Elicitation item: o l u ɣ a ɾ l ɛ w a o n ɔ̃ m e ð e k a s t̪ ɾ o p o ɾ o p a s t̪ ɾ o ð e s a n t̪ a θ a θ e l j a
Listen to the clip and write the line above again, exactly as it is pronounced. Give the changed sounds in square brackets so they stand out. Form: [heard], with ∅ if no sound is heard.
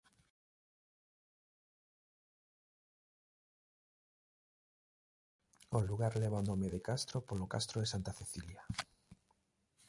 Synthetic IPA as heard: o l u ɣ a ɾ l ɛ [β] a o n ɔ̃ m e ð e k a s t̪ ɾ o p o [l] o [k] a s t̪ ɾ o ð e s a n t̪ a θ [e] θ [i] l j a